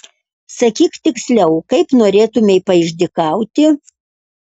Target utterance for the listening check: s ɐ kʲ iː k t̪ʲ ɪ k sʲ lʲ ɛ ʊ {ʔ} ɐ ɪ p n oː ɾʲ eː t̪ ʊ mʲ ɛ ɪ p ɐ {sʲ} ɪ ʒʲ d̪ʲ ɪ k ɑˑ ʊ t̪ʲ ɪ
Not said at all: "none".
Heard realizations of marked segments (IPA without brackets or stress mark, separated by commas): k, none